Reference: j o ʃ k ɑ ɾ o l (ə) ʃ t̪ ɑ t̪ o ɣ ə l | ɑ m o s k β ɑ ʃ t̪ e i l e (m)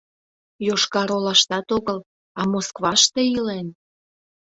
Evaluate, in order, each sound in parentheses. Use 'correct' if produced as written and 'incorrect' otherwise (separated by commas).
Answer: incorrect, incorrect